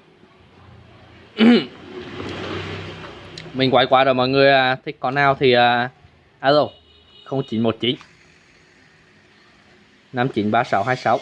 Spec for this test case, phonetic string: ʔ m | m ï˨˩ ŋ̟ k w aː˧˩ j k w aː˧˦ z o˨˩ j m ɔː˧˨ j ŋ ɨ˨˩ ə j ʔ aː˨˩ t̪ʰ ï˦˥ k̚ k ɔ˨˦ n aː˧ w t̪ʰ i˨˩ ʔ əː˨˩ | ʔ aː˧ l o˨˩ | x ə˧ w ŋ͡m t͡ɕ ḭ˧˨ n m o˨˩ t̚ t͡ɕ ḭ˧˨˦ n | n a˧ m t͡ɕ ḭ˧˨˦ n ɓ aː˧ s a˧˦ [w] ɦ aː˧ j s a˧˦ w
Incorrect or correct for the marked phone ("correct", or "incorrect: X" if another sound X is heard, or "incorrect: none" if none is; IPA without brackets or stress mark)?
correct